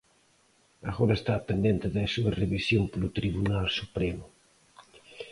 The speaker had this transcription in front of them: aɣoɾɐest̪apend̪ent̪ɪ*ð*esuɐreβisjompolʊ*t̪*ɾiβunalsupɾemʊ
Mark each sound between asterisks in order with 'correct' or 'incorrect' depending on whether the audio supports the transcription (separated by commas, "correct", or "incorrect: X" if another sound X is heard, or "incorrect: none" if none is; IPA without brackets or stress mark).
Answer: correct, correct